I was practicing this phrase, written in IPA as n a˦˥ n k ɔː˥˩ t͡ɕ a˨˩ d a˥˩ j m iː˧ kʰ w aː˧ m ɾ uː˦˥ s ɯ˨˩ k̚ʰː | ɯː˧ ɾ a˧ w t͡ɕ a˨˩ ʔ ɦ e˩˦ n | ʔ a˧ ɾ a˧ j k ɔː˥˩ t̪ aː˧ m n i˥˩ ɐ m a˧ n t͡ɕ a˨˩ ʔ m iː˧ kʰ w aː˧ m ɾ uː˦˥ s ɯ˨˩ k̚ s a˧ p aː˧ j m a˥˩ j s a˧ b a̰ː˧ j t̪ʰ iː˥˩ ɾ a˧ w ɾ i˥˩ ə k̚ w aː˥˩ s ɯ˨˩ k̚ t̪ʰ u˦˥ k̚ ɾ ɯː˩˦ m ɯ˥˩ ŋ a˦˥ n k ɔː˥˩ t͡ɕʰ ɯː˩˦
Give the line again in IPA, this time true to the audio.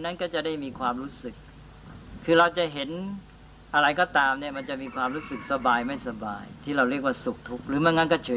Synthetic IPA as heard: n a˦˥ n k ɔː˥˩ t͡ɕ a˨˩ d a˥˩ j m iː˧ kʰ w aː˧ m ɾ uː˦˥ s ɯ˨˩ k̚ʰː | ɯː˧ ɾ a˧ w t͡ɕ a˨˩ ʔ ɦ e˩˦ n | ʔ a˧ ɾ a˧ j k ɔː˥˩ t̪ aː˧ m n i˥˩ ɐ m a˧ n t͡ɕ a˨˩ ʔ m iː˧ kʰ w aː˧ m ɾ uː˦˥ s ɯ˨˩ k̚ s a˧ b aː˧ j m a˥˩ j s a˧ b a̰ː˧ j t̪ʰ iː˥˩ ɾ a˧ w ɾ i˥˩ ə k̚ w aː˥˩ s u˨˩ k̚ t̪ʰ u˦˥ k̚ ɾ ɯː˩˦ m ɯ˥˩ ŋ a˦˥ n k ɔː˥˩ t͡ɕʰ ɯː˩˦